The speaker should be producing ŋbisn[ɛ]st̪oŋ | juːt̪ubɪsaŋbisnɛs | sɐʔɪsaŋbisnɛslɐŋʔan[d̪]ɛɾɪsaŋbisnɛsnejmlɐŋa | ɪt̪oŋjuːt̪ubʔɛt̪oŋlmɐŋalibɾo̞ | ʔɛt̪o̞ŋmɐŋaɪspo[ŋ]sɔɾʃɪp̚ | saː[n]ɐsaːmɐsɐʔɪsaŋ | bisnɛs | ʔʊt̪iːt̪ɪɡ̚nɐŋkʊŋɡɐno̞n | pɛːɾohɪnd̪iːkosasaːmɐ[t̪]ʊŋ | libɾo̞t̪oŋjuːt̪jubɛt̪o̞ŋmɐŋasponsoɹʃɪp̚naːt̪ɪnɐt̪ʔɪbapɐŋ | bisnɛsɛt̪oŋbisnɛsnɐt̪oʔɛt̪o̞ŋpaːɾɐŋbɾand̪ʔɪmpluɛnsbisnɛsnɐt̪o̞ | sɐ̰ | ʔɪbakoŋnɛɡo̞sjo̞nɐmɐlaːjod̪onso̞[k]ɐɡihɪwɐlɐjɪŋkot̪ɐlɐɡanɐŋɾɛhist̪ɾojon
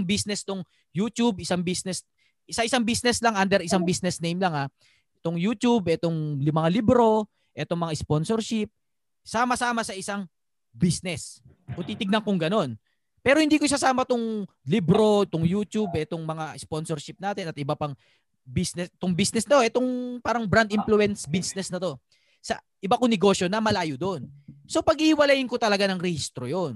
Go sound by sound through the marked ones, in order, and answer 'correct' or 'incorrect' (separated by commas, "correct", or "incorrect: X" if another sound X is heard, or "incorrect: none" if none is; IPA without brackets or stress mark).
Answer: correct, correct, incorrect: n, incorrect: m, correct, incorrect: p